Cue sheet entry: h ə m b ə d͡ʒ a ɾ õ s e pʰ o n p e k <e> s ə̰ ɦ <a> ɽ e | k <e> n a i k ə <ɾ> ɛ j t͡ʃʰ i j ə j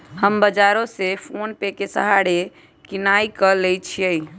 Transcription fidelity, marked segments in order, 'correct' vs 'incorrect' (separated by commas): correct, correct, incorrect, incorrect